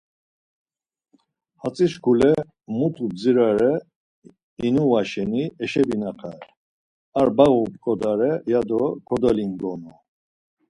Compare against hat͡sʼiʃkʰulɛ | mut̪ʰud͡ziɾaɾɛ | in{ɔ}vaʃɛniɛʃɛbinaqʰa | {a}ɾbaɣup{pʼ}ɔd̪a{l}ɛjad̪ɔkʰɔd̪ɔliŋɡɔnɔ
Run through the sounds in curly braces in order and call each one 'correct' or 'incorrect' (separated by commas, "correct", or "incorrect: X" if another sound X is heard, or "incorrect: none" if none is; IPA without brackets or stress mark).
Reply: incorrect: u, correct, incorrect: kʼ, incorrect: ɾ